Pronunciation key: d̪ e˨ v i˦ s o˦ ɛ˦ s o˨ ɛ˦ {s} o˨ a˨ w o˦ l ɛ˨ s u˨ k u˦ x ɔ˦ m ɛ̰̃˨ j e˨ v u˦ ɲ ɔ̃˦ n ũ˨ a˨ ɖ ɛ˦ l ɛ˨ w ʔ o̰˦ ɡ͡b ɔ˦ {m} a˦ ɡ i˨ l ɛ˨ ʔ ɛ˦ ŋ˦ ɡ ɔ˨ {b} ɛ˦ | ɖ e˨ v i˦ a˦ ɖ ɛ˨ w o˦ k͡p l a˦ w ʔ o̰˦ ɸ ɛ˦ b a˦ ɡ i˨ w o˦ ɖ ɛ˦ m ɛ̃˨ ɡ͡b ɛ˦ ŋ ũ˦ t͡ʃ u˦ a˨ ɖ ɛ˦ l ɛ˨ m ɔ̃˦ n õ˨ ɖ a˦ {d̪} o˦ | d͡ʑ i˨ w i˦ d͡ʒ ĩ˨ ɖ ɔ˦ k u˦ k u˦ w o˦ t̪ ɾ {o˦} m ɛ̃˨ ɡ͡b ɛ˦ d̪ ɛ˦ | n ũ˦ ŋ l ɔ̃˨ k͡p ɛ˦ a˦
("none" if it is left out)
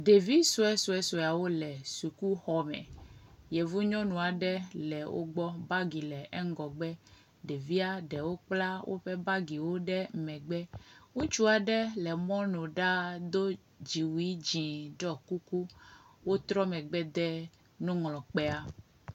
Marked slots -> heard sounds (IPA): s, b, ɡ͡b, d̪, ɔ˦

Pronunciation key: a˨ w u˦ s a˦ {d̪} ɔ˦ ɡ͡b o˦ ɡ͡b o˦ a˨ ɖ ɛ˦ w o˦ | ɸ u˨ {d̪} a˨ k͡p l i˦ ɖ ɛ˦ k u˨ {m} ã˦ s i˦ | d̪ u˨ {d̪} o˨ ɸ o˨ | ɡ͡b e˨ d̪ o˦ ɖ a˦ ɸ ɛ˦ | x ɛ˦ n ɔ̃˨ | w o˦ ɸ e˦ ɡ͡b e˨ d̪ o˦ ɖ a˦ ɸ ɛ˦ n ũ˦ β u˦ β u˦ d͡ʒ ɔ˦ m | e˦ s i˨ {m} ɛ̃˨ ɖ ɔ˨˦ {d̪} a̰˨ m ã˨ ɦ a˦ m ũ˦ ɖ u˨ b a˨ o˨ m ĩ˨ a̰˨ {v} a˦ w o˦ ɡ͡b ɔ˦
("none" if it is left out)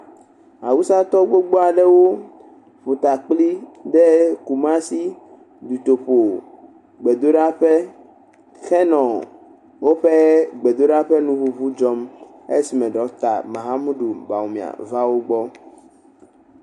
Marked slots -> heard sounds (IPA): t̪, t̪, m, t̪, m, t̪, v

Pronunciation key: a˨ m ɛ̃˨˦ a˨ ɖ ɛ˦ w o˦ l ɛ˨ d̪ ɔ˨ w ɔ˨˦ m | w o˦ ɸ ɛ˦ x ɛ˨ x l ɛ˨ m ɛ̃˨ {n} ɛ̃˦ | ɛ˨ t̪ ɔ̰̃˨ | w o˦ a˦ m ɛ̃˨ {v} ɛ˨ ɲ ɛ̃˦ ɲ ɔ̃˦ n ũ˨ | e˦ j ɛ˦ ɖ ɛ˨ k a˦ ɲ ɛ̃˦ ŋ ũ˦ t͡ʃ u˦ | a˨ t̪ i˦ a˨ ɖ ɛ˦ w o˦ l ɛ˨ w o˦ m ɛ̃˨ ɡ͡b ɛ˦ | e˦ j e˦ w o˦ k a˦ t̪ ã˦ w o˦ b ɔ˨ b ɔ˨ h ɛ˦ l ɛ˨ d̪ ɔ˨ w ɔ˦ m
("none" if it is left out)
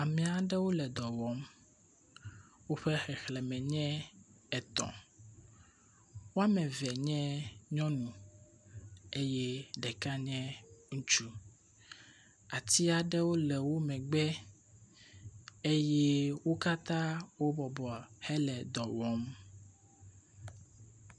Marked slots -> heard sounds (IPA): ɲ, v

